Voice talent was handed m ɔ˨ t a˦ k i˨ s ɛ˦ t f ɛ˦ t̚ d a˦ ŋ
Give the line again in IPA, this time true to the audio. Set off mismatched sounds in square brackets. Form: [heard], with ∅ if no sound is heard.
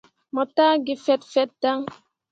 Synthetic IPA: m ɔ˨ t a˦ [ɡ] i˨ [f] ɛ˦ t f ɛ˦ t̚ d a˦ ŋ